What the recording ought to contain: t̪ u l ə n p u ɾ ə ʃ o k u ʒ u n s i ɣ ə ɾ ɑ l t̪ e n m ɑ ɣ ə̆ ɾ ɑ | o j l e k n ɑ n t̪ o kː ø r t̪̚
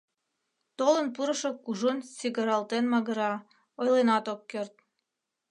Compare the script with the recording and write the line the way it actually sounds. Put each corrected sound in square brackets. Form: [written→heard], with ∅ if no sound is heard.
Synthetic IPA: t̪ [u→o] l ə n p u ɾ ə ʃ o k u ʒ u n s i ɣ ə ɾ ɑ l t̪ e n m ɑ ɣ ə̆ ɾ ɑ | o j l e [k→∅] n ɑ [n→∅] t̪ o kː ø r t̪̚